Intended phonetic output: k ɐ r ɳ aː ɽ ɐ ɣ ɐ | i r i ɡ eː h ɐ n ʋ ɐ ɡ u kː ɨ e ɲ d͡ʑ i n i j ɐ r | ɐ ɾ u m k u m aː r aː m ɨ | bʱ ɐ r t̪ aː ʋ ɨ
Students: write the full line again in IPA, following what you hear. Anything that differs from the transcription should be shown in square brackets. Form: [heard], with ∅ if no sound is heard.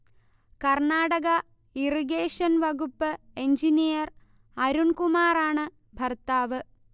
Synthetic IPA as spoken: k ɐ r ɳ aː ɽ ɐ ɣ ɐ | i r i ɡ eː [ʂ] ɐ n ʋ ɐ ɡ u [pː] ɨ e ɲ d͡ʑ i n i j ɐ r | ɐ ɾ u [ɳ] k u m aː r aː [ɳ] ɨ | bʱ ɐ r t̪ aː ʋ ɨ